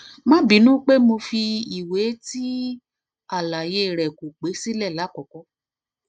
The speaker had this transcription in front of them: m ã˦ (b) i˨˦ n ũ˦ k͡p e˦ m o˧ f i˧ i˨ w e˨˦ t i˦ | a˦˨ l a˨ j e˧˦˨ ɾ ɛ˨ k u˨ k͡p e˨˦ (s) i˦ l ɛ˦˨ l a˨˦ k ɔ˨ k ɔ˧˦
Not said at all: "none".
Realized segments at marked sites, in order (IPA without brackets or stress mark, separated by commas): b, s